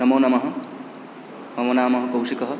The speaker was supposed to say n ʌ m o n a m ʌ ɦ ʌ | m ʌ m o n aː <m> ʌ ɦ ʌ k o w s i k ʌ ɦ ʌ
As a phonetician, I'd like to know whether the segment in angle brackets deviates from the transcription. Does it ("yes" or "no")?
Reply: no